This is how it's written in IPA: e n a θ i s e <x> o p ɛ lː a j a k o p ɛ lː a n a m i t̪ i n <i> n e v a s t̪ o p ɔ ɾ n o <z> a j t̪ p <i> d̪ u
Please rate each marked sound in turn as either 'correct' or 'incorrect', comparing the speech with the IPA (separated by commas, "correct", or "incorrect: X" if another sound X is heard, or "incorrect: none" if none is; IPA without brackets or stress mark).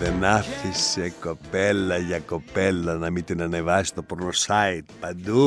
incorrect: k, incorrect: a, incorrect: s, incorrect: a